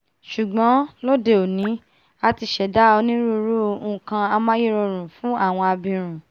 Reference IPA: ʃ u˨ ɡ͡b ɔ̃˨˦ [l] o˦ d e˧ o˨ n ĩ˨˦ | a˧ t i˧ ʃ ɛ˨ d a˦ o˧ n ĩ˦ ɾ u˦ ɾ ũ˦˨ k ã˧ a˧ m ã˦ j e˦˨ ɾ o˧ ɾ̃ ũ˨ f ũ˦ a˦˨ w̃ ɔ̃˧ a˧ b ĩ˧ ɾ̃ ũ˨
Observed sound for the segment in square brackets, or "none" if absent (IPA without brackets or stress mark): l